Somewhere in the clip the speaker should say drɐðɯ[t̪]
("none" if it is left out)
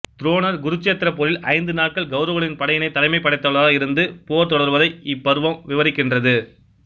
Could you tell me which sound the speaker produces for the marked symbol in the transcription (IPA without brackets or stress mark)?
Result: none